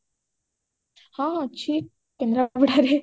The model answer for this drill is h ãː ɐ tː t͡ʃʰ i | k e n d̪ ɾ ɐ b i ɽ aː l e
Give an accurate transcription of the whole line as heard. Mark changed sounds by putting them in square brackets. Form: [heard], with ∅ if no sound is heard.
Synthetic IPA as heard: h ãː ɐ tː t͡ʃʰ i | k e n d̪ ɾ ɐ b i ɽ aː [ɾ] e